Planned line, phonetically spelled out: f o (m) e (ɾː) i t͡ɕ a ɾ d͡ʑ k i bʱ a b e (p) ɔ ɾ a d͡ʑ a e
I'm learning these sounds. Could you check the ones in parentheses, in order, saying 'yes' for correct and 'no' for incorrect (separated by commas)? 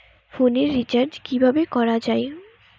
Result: no, yes, no